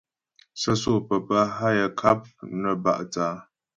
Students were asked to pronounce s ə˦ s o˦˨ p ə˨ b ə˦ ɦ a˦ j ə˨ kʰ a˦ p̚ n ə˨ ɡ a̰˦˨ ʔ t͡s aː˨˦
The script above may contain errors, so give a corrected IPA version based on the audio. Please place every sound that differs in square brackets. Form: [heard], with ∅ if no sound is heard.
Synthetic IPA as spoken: s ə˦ s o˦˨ p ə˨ [p] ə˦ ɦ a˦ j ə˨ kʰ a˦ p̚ n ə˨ [b] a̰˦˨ ʔ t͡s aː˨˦